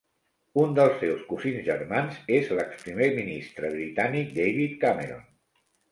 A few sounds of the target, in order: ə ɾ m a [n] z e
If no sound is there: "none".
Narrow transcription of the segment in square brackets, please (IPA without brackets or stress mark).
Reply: n